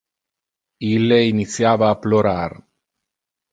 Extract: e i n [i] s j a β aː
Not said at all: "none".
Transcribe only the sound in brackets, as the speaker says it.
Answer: i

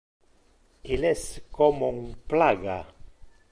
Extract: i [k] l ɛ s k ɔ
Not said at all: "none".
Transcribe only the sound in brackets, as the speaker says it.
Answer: none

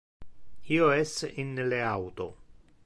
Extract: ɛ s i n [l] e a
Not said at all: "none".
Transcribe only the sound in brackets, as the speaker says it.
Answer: l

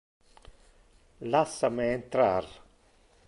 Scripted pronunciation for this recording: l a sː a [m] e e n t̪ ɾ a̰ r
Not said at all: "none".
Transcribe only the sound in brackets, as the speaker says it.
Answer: m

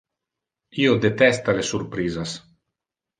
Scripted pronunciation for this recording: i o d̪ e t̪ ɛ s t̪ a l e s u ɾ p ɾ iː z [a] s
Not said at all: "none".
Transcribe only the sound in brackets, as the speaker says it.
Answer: a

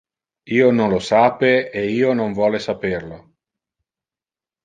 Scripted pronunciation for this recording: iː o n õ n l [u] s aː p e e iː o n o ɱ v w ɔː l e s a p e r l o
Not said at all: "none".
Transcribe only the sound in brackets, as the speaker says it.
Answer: o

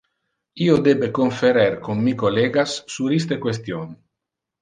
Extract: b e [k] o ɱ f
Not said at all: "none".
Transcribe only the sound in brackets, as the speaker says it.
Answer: k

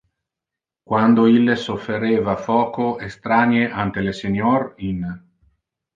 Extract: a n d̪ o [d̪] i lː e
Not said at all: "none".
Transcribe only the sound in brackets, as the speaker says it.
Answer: none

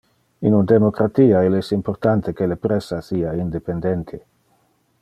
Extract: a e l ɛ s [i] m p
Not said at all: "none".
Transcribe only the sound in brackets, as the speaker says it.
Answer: i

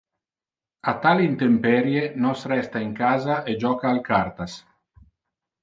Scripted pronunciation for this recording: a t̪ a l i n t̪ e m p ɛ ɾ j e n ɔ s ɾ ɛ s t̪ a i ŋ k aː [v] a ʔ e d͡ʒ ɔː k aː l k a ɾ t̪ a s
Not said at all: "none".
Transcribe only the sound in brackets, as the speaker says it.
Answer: z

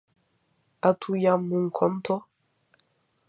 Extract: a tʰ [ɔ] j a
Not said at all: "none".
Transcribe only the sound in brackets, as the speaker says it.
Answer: u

